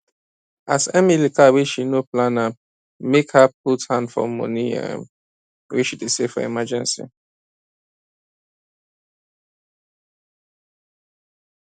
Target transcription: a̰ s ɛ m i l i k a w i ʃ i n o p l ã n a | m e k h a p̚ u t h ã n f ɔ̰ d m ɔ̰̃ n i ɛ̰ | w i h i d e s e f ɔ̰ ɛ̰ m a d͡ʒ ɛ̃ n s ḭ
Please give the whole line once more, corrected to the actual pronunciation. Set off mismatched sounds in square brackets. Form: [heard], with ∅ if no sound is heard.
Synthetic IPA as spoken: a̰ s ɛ m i l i k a w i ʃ i n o p l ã n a | m e k h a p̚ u t h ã n f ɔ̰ [∅] m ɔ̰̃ n i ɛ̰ | w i [ʃ] i d e s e f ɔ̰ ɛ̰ m a d͡ʒ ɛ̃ n s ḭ